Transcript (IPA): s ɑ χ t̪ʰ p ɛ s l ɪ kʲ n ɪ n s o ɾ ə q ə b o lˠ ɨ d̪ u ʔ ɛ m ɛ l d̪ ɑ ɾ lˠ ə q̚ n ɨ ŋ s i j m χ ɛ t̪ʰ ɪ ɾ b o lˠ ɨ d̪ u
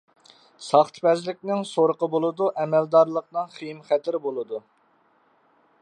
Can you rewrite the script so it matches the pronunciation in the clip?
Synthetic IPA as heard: s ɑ χ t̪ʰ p ɛ z l ɪ kʲ n ɪ ŋ s o ɾ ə q ə b o lˠ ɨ d̪ u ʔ ɛ m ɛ l d̪ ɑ ɾ lˠ ə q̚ n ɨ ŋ χ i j m χ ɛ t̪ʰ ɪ ɾ b o lˠ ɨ d̪ u